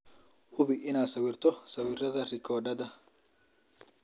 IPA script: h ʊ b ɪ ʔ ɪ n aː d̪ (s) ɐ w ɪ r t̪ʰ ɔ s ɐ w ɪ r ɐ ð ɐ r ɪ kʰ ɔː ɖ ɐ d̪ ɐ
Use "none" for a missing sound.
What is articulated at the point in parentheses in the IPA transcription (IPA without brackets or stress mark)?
s